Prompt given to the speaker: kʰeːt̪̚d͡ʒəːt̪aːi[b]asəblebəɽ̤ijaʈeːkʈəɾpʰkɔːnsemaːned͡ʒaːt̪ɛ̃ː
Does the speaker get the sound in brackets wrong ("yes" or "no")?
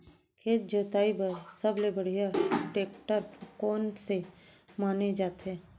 no